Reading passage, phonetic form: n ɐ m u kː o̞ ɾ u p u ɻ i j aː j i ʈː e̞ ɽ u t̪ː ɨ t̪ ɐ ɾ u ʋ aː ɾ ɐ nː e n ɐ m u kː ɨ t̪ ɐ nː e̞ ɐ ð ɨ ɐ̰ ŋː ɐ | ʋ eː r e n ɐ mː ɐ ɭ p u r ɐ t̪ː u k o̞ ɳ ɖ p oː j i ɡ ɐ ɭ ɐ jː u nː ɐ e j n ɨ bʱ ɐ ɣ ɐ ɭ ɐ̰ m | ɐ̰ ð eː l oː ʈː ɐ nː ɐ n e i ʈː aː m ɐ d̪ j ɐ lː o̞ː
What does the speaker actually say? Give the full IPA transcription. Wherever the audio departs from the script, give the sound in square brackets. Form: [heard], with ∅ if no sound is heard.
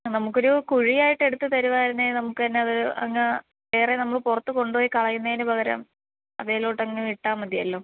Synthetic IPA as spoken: n ɐ m u kː o̞ ɾ u [k] u ɻ i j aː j i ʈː e̞ ɽ u t̪ː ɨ t̪ ɐ ɾ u ʋ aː ɾ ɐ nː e n ɐ m u kː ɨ t̪ ɐ nː e̞ ɐ ð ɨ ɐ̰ ŋː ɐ | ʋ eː r e n ɐ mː ɐ ɭ p u r ɐ t̪ː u k o̞ ɳ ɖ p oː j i [k] ɐ ɭ ɐ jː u nː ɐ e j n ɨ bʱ ɐ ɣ ɐ [ɾ] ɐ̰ m | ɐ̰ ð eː l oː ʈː ɐ [ŋː] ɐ n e i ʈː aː m ɐ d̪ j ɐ lː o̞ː